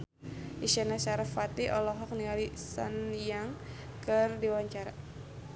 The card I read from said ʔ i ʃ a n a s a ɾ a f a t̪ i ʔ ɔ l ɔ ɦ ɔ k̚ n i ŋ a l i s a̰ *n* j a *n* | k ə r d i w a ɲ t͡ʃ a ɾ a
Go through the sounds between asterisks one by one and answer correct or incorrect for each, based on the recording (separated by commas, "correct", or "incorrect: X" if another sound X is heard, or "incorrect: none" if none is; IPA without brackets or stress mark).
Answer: correct, incorrect: ŋ